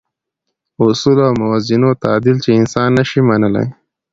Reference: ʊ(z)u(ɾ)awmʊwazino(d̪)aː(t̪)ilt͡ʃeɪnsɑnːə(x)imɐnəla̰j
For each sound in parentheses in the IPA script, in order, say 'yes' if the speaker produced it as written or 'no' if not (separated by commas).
no, no, no, no, no